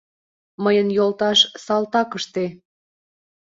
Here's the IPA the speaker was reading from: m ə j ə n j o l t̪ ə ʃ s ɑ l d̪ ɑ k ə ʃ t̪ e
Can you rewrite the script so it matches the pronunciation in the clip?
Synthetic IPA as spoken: m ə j ə n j o l t̪ ɑ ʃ s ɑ l t̪ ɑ k ə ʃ t̪ e